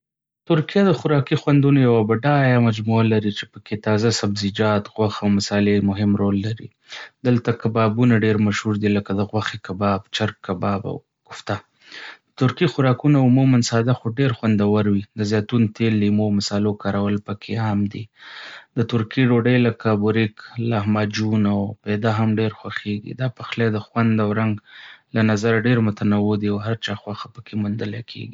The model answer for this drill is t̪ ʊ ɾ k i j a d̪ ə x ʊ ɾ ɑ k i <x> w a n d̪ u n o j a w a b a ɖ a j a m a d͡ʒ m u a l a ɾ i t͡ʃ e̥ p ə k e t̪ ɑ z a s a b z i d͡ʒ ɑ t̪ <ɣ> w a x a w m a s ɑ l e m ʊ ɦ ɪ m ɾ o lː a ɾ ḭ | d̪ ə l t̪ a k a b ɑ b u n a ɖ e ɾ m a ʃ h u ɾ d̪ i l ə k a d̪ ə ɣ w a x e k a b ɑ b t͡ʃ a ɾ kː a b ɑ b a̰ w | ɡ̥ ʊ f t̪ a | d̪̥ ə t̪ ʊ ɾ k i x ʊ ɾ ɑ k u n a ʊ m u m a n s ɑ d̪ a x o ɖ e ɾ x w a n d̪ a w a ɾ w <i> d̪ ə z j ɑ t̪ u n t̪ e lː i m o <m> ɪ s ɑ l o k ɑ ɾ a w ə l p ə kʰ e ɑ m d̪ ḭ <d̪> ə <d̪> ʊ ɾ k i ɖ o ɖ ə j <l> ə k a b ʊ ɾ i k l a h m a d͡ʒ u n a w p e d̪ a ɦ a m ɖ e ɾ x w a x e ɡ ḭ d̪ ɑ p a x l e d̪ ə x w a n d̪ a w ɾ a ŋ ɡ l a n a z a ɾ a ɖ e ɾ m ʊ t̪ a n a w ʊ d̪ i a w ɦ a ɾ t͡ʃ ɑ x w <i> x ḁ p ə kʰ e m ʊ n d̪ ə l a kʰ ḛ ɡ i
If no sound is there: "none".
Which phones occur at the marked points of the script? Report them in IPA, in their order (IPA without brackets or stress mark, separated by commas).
x, ɣ, i, m, d̪, t̪, l, a